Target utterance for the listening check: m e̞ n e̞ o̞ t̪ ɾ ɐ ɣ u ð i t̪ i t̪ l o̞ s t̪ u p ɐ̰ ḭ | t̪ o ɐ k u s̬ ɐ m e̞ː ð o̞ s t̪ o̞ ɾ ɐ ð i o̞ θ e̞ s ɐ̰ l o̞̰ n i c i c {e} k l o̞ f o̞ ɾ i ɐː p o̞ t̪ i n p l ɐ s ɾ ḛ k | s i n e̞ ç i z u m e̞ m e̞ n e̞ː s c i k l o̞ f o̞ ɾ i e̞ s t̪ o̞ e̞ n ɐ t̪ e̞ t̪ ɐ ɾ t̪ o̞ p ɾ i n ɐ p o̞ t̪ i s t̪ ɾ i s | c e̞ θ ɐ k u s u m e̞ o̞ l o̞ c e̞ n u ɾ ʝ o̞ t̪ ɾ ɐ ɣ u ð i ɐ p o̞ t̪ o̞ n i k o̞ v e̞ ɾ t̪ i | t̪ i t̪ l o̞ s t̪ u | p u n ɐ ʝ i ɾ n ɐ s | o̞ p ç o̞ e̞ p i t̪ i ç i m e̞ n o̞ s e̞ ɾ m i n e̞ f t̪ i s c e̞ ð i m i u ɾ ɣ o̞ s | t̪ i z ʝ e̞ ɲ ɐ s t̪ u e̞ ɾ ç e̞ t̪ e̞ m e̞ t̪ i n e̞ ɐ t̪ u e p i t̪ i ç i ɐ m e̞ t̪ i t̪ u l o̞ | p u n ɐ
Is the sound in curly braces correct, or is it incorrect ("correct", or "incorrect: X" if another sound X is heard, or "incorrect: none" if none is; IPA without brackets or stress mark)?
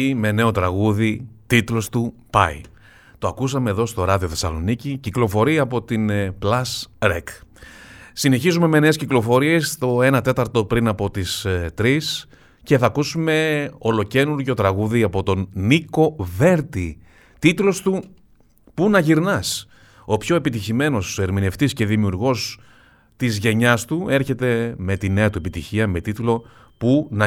incorrect: i